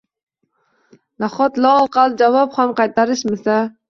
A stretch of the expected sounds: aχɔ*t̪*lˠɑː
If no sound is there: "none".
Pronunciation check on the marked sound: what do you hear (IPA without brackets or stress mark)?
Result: t̪